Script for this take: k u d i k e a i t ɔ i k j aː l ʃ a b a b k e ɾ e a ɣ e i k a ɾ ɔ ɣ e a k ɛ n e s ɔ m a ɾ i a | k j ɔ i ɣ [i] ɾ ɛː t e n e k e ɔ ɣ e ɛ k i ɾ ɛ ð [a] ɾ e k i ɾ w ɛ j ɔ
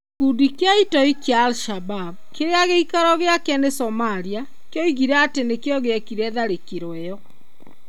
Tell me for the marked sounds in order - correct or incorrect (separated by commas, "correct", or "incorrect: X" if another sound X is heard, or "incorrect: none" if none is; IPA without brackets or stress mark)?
correct, correct